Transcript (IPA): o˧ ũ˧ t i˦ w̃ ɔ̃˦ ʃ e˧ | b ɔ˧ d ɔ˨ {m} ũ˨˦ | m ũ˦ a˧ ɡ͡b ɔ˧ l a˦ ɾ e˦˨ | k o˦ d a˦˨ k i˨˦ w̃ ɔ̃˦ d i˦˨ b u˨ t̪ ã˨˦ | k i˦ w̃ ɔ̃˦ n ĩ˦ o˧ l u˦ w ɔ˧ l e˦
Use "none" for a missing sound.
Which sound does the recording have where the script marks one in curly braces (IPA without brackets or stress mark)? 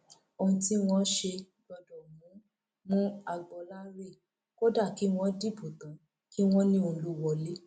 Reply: m